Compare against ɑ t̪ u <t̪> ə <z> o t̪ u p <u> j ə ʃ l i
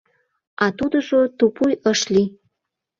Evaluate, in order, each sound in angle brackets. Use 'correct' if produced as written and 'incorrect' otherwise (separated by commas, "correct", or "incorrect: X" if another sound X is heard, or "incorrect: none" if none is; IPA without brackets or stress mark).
incorrect: d̪, incorrect: ʒ, correct